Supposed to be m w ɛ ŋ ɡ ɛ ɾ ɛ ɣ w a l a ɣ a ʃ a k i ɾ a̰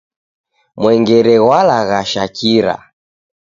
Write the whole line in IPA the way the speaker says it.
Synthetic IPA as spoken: m w ɛ ŋ ɡ ɛ ɾ ɛ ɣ w a l a ɣ a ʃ a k i ɾ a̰